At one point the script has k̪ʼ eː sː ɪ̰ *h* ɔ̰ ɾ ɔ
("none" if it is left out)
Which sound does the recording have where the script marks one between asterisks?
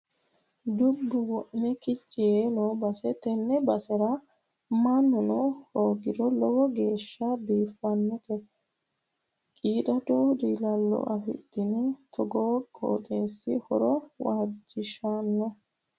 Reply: h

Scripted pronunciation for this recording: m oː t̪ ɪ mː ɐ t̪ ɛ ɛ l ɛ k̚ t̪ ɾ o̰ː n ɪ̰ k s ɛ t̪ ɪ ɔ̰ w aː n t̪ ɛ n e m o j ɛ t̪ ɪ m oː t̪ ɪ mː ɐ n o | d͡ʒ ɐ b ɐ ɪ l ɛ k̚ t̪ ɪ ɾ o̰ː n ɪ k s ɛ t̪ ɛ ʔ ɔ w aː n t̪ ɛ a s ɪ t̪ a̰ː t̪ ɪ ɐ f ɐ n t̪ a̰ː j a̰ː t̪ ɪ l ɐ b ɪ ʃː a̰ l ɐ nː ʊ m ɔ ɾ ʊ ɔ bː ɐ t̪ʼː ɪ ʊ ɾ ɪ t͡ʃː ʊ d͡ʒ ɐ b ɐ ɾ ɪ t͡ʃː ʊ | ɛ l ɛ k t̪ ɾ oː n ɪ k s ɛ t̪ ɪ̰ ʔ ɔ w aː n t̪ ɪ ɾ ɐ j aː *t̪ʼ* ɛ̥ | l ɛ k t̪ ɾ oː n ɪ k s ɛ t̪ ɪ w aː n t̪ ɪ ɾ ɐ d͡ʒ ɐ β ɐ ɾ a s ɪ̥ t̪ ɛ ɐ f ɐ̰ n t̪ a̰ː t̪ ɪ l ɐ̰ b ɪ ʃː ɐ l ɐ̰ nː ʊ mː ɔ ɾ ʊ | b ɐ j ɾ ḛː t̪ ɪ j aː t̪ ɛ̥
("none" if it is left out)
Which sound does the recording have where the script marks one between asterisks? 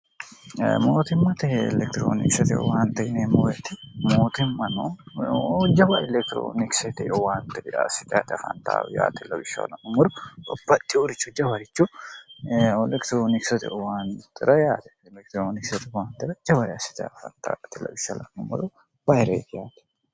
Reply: t̪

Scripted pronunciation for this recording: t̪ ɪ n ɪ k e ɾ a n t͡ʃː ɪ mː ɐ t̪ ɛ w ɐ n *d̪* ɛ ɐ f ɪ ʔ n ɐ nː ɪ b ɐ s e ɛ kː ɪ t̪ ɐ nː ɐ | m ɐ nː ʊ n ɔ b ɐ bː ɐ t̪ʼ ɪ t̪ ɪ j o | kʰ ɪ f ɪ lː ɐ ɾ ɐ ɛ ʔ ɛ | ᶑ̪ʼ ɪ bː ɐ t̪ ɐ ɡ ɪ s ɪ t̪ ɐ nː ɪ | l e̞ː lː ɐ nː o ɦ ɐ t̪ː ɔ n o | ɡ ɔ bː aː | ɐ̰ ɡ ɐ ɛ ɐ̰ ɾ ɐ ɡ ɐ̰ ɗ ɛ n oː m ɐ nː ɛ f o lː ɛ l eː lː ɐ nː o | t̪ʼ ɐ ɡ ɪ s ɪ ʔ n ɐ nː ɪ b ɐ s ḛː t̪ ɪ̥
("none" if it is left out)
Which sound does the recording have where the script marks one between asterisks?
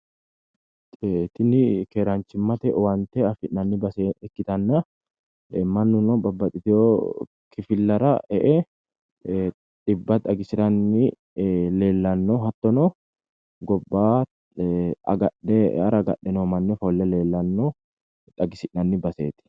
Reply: t̪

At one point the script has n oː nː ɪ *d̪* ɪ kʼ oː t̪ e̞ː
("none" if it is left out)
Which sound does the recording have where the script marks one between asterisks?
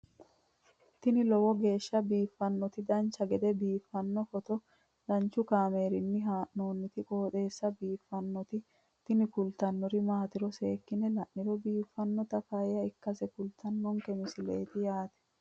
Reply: t̪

